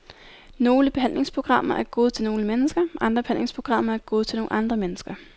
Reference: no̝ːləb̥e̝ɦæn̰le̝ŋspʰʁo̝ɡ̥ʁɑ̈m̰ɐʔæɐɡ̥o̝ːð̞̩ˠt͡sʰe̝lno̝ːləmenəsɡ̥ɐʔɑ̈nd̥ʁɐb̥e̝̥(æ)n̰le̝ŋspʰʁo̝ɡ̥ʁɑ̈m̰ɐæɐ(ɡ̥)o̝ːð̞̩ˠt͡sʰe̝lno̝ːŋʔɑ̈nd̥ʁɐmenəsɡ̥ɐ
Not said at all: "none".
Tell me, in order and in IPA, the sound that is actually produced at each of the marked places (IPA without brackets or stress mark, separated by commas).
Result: æ, ɡ̥